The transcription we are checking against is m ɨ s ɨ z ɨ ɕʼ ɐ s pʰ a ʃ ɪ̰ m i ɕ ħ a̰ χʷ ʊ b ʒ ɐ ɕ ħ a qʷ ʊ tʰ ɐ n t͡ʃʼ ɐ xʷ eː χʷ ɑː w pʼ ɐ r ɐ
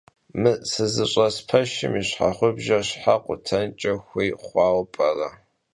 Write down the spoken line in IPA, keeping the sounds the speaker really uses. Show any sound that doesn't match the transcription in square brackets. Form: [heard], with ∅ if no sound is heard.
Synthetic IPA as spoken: m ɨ s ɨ z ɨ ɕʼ ɐ s pʰ [ɐ] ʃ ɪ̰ m i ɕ ħ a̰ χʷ ʊ b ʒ ɐ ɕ ħ a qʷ ʊ tʰ ɐ n t͡ʃʼ ɐ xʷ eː χʷ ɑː w pʼ ɐ r ɐ

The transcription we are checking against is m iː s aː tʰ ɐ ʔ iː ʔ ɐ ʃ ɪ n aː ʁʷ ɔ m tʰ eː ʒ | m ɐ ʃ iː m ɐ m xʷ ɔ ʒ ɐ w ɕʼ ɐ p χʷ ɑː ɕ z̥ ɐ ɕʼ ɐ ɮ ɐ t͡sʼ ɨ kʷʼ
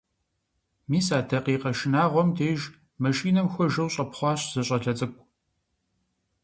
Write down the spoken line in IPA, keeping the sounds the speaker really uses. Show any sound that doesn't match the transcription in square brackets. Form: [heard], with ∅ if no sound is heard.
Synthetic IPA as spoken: m iː s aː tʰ ɐ [q] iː [q] ɐ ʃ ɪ n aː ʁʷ ɔ m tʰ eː ʒ | m ɐ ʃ iː [n] ɐ m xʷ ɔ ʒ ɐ w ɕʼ ɐ p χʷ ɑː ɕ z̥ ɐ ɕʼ ɐ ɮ ɐ t͡sʼ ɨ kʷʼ

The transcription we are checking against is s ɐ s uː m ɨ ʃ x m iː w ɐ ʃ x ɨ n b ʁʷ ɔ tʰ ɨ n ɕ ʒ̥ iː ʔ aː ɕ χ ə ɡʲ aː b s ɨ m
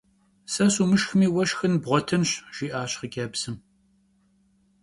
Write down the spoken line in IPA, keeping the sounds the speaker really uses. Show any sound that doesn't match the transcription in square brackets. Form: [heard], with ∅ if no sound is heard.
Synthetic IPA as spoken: s ɐ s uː m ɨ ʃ x m iː w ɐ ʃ x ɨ n b ʁʷ ɔ tʰ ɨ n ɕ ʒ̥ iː ʔ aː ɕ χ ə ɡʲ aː b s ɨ m

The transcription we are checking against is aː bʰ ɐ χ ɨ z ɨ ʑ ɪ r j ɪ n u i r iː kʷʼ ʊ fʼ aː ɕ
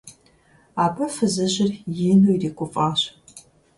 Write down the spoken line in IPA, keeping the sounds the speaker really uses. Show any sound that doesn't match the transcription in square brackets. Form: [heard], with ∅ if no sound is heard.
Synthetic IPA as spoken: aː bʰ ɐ [f] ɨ z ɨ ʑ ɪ r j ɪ n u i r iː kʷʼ ʊ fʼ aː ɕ

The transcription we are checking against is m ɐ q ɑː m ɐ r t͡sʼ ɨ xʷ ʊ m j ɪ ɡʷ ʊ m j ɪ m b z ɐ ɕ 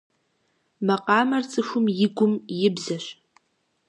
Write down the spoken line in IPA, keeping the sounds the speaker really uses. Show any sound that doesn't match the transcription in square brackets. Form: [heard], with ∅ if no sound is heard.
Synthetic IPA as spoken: m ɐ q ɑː m ɐ r t͡sʼ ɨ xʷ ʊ m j ɪ ɡʷ ʊ m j ɪ [∅] b z ɐ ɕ

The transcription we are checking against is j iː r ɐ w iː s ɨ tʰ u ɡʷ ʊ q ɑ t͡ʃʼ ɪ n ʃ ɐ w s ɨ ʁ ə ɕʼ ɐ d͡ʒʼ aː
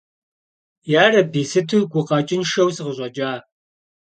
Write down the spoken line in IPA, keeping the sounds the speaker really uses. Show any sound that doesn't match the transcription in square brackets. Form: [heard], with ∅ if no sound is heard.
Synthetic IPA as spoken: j [aː] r ɐ [b] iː s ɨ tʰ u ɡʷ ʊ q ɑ t͡ʃʼ ɪ n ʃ ɐ w s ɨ ʁ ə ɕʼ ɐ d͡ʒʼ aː

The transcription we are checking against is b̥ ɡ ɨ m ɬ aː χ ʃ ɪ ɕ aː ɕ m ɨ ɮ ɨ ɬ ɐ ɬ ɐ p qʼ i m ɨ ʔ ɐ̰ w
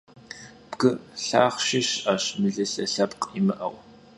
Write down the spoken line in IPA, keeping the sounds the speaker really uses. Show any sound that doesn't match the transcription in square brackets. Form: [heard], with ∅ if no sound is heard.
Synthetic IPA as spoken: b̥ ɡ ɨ [∅] ɬ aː χ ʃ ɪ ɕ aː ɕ m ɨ ɮ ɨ ɬ ɐ ɬ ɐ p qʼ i m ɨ ʔ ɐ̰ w

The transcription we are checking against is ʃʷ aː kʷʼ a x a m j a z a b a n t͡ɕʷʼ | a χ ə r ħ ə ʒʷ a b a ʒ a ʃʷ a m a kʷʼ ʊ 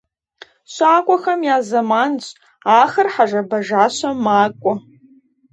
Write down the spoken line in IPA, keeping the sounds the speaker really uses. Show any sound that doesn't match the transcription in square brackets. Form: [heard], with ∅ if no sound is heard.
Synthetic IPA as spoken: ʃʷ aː kʷʼ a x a m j a z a [m] a n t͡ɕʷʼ | a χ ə r ħ [a] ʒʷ a b a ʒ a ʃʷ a m a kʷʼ ʊ

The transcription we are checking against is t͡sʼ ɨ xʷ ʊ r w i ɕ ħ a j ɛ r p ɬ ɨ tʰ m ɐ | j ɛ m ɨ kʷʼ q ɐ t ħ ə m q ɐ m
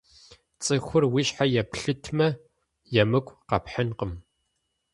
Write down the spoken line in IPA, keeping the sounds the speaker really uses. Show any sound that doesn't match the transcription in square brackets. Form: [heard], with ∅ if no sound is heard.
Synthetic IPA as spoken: t͡sʼ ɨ xʷ ʊ r w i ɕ ħ a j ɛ [∅] p ɬ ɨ tʰ m ɐ | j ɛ m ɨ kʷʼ q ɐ [p] ħ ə [n] q [ə] m

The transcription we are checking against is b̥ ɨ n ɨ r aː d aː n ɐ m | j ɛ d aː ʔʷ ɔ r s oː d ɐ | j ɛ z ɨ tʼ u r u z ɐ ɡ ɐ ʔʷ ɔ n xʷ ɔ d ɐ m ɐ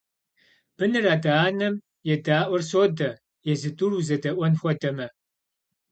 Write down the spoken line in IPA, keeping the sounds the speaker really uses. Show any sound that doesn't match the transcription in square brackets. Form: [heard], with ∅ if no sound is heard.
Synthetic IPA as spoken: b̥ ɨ n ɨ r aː d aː n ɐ m | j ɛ d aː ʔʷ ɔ r s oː d ɐ | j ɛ z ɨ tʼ u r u z ɐ [d] ɐ ʔʷ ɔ n xʷ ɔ d ɐ m ɐ

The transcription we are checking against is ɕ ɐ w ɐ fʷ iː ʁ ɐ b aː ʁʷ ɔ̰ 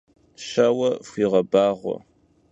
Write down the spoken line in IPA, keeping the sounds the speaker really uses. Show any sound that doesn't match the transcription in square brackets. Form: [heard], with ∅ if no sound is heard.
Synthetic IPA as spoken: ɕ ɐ w ɐ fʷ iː ʁ ɐ b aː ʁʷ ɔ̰

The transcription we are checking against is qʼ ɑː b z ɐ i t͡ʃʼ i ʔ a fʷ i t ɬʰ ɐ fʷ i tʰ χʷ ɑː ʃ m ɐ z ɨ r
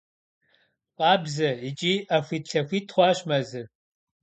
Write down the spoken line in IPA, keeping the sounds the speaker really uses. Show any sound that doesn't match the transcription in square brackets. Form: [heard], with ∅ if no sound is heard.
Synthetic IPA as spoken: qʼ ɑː b z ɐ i t͡ʃʼ i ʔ a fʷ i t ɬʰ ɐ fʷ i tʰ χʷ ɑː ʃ m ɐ z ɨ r

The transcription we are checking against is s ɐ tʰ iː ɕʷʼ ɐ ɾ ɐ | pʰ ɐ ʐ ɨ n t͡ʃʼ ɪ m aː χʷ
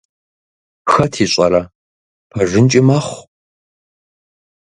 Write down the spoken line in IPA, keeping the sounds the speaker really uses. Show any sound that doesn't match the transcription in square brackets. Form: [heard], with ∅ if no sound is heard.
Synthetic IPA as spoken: [x] ɐ tʰ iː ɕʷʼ ɐ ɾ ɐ | pʰ ɐ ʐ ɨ n t͡ʃʼ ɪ m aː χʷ

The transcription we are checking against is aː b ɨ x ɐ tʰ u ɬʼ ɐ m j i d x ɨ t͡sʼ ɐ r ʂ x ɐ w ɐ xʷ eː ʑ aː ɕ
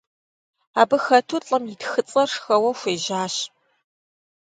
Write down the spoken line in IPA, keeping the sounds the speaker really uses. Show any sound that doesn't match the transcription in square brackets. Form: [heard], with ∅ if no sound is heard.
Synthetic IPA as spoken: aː b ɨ x ɐ tʰ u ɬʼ ɐ m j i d x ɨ t͡sʼ ɐ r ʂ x ɐ w ɐ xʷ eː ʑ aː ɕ

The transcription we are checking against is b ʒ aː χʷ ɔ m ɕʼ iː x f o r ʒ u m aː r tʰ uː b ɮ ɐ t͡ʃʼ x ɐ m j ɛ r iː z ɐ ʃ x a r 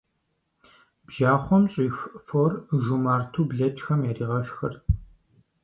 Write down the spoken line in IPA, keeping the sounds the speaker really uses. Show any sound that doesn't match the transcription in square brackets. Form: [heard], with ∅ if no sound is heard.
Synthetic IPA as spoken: b ʒ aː χʷ ɔ m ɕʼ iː x f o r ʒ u m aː r tʰ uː b ɮ ɐ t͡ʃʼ x ɐ m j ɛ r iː [ʁ] ɐ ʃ x [ɐ] r

